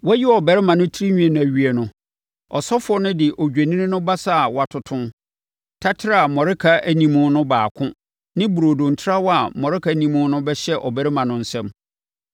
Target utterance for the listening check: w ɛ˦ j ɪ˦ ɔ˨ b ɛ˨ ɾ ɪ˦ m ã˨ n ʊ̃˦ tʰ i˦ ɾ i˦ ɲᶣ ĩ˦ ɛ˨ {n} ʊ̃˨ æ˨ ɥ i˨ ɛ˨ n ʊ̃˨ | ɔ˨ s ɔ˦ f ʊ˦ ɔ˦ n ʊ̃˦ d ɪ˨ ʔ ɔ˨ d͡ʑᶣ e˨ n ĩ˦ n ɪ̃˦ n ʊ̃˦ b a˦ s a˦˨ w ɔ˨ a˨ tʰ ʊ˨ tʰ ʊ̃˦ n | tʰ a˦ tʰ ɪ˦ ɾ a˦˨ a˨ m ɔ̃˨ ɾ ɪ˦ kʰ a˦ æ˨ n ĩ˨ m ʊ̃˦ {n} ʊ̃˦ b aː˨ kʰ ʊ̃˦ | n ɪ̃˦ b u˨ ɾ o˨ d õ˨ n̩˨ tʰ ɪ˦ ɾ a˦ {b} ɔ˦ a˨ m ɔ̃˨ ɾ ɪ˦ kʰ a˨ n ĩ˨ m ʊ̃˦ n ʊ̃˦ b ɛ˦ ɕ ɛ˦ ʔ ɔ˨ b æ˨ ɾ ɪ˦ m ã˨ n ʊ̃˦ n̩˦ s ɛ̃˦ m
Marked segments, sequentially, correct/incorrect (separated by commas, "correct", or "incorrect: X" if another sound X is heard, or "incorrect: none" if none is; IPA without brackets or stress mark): correct, correct, incorrect: w